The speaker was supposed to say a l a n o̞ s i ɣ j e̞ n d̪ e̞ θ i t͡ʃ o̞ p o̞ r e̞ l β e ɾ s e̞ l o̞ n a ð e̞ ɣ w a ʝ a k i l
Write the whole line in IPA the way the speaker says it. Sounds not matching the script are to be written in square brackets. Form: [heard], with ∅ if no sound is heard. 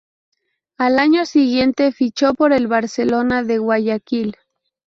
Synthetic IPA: a l a [ɲ] o̞ s i ɣ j e̞ n [t̪] e̞ [f] i t͡ʃ o̞ p o̞ [ɾ] e̞ l β [a] ɾ s e̞ l o̞ n a ð e̞ ɣ w a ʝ a k i l